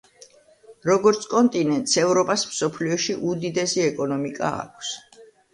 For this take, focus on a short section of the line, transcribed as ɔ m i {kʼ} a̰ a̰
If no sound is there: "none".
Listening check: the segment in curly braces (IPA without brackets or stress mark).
kʼ